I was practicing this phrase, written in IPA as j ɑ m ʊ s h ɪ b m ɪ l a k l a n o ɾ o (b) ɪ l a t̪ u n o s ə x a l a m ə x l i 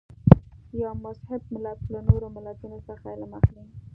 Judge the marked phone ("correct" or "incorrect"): incorrect